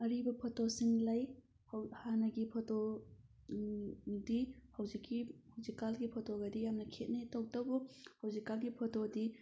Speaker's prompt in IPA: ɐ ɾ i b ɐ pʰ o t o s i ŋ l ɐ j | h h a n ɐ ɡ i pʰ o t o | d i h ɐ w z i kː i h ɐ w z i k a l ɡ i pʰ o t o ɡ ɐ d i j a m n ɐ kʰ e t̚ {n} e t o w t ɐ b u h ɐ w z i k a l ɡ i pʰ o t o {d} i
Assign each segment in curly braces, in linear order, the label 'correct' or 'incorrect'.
correct, correct

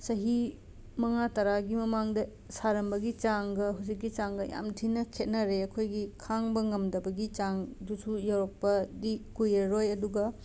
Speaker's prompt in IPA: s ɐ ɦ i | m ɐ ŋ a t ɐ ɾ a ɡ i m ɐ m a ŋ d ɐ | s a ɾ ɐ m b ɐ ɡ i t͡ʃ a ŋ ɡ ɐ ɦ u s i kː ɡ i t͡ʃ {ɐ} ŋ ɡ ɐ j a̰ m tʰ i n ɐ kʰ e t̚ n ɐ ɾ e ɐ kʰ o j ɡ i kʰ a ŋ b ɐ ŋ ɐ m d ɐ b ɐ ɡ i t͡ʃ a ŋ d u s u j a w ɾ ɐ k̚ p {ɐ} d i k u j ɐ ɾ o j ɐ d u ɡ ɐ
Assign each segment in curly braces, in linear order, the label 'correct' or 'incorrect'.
incorrect, correct

